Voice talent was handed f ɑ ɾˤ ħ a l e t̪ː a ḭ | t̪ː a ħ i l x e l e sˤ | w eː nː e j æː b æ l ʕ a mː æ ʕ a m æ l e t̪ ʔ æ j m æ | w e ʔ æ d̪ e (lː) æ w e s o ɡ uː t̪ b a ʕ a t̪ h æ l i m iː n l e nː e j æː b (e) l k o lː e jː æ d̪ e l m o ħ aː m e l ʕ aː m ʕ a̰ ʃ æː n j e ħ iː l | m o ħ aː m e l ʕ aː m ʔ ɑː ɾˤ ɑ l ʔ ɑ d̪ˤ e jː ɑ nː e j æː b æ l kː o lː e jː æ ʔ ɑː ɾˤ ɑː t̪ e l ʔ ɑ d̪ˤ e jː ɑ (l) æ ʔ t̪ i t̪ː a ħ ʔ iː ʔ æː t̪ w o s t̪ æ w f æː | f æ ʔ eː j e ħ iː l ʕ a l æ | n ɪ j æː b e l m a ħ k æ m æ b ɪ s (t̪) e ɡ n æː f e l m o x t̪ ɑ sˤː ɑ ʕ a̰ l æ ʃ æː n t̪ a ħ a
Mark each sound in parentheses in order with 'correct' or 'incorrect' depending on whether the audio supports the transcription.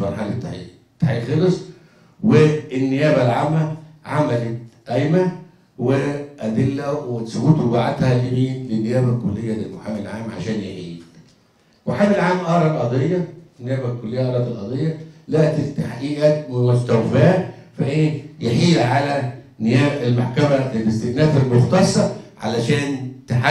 correct, incorrect: æ, correct, correct

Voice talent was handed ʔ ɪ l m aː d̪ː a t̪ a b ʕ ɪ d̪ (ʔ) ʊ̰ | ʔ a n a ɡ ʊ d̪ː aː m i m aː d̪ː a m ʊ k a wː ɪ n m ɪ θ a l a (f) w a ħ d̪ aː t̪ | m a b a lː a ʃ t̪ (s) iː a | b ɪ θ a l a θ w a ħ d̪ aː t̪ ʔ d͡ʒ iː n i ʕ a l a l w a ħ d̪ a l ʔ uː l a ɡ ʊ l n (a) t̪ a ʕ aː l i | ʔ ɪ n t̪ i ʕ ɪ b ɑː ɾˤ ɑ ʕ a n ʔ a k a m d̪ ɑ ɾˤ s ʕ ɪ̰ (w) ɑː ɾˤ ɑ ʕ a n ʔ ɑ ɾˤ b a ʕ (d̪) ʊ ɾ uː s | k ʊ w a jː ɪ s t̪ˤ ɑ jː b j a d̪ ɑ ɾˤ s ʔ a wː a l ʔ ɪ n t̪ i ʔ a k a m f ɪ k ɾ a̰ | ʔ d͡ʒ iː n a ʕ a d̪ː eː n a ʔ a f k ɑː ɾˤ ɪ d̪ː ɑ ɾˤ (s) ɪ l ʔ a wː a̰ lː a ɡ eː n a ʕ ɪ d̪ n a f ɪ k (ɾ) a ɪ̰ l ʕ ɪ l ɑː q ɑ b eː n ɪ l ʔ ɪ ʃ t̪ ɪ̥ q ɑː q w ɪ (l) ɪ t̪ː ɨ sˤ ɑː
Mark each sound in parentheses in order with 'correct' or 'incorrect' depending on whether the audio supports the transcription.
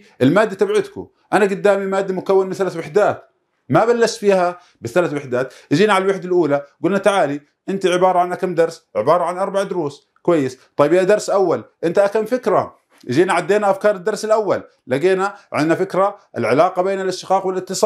incorrect: k, incorrect: θ, incorrect: f, correct, incorrect: b, correct, correct, correct, correct

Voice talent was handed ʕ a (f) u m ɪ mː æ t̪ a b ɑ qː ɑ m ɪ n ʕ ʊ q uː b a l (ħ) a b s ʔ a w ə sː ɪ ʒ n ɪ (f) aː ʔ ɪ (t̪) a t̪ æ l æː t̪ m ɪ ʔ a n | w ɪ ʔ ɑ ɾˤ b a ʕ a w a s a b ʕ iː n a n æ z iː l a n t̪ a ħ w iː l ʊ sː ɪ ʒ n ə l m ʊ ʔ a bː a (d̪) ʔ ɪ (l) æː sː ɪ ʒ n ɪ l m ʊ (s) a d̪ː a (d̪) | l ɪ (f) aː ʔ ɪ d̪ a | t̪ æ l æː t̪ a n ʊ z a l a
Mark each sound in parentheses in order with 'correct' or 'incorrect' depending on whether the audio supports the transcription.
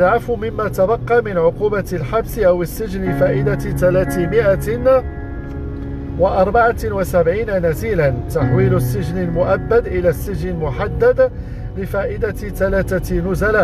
correct, correct, correct, incorrect: d̪, correct, correct, incorrect: ħ, correct, correct

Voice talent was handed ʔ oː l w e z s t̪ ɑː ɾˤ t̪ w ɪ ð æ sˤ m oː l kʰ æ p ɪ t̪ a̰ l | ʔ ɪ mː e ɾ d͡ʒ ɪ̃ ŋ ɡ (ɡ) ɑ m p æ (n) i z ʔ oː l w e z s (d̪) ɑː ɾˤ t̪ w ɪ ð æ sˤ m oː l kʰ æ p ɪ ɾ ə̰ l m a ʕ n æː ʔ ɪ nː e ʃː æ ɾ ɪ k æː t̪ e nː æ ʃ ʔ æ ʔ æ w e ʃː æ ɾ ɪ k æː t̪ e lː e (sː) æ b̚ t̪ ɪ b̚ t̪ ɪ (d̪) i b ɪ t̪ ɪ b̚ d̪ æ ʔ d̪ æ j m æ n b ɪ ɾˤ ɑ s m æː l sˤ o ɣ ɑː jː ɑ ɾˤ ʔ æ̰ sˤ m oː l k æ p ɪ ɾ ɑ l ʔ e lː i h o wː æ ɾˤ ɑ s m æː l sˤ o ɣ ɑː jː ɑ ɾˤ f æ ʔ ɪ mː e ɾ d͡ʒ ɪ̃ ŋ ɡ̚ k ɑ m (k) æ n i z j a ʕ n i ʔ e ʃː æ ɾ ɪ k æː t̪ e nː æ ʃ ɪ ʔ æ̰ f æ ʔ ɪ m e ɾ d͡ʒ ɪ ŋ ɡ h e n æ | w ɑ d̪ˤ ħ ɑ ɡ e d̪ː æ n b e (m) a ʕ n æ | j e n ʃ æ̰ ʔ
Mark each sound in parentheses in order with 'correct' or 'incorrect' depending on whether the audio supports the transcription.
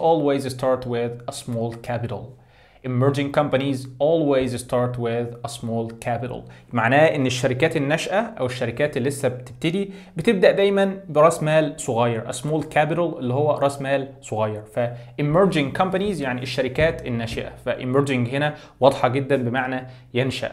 incorrect: k, correct, incorrect: t̪, correct, correct, incorrect: p, correct

